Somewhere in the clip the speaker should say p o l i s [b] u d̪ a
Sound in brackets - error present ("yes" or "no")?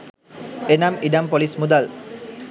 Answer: yes